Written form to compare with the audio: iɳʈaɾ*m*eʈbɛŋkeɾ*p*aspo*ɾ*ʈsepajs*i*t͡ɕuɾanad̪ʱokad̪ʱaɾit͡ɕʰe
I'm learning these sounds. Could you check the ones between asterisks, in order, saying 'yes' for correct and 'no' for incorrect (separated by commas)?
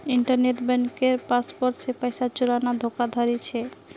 no, yes, yes, no